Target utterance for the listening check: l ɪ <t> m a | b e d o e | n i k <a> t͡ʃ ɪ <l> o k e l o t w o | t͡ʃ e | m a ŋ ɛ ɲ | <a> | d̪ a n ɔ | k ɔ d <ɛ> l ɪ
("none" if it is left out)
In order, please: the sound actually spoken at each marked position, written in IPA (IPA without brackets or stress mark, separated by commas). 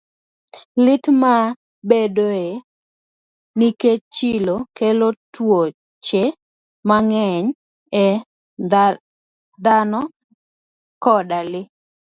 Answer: t, e, l, ɛ, a